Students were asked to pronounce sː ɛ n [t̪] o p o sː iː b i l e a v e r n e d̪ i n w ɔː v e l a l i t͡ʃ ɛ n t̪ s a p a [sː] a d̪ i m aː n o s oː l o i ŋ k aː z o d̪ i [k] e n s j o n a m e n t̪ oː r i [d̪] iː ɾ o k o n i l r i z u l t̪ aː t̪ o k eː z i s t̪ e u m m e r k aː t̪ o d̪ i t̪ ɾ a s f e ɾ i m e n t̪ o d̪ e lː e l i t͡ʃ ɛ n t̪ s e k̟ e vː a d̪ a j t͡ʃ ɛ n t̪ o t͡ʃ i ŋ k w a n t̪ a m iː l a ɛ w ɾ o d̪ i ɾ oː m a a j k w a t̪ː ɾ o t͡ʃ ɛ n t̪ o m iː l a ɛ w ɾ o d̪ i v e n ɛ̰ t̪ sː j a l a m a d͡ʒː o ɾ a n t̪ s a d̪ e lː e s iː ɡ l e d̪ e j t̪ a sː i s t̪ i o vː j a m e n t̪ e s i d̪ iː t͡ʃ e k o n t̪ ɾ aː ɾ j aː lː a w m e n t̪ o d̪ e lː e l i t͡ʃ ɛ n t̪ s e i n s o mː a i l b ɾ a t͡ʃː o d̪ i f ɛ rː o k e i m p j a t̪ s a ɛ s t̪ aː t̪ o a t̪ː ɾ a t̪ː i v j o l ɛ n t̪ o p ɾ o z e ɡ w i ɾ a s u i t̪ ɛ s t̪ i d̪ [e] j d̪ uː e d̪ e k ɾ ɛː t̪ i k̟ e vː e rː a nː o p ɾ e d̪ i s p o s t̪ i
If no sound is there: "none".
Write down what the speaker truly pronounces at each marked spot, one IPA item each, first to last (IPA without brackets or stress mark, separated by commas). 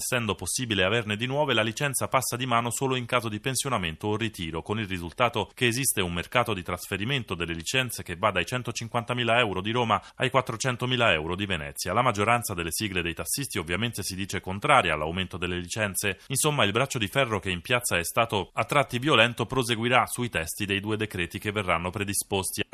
d̪, sː, p, t̪, e